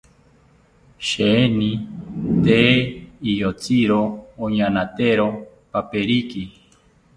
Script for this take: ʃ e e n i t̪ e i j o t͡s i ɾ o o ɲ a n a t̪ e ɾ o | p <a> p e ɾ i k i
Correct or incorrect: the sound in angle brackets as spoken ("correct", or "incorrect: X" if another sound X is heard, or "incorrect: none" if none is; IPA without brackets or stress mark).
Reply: correct